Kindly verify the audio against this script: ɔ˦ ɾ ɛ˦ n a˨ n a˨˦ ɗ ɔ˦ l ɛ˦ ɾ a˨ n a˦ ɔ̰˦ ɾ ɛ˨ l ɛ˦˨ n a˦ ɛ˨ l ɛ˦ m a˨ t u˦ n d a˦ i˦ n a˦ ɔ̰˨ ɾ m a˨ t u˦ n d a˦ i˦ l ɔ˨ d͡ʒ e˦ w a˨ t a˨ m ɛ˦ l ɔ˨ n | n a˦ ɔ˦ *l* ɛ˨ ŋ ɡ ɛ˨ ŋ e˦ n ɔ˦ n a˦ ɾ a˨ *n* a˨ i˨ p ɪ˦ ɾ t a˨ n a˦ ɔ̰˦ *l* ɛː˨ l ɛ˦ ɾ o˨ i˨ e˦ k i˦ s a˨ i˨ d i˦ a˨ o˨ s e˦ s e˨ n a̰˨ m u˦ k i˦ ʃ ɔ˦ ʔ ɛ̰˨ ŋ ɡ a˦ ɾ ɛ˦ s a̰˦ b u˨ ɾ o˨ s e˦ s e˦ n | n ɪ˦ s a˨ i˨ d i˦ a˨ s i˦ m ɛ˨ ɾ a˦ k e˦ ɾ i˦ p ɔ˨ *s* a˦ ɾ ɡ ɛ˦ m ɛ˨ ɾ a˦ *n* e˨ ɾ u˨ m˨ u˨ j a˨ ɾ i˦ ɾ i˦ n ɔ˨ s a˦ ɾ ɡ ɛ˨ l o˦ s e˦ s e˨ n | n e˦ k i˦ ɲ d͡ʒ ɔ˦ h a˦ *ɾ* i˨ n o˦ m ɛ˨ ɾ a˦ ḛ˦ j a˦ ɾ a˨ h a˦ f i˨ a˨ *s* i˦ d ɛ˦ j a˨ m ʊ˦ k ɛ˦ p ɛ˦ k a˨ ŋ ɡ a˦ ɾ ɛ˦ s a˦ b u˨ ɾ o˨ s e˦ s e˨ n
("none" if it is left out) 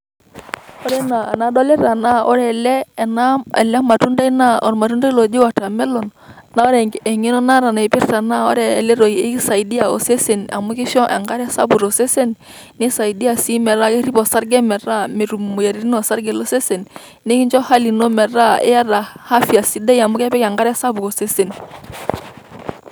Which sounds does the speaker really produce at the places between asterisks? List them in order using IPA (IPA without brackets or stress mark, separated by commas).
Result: ɾ, n, ɾ, s, m, l, s